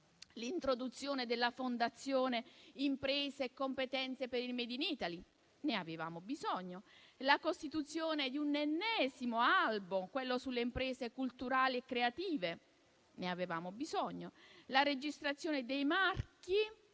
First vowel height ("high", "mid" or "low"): high